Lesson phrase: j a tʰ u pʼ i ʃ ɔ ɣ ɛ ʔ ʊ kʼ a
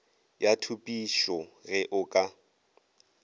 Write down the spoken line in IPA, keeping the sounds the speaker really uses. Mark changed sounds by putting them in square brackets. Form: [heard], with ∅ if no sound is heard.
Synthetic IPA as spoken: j a tʰ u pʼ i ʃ ɔ ɣ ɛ ʔ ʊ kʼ a